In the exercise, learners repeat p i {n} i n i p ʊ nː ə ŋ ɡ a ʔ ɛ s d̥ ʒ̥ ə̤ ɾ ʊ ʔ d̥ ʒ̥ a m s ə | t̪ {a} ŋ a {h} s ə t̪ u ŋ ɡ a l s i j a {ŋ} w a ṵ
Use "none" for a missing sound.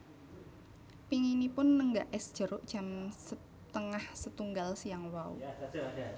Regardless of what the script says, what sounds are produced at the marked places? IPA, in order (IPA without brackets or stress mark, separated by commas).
ŋ, ə, h, ŋ